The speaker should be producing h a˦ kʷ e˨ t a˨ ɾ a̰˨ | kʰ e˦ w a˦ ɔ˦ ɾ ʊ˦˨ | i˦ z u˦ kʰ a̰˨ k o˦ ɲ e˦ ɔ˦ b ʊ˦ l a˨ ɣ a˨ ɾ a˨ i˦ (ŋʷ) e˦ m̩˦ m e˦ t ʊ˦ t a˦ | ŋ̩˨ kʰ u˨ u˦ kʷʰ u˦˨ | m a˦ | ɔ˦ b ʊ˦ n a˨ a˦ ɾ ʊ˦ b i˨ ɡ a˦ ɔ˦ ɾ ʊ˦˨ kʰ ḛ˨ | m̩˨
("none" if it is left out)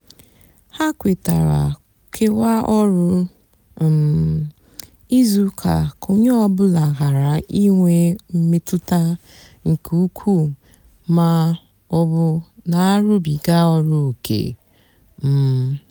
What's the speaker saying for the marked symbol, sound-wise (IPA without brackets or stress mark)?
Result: ŋʷ